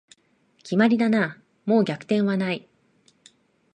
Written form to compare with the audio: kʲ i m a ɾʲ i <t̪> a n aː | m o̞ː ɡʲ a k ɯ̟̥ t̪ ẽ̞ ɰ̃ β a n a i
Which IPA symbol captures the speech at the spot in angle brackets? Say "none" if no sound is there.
d̪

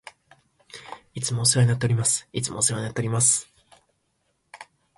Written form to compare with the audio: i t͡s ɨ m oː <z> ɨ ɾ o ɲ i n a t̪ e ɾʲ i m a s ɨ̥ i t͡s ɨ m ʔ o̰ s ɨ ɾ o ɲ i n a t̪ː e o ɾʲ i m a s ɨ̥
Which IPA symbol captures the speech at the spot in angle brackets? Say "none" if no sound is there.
s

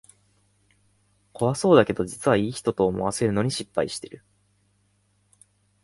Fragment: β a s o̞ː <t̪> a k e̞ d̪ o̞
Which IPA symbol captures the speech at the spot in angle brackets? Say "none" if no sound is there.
d̪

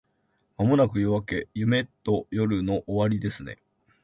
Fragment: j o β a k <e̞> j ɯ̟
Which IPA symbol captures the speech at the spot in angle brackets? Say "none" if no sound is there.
e̞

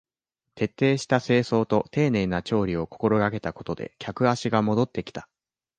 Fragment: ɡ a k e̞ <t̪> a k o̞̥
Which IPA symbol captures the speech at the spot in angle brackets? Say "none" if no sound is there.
t̪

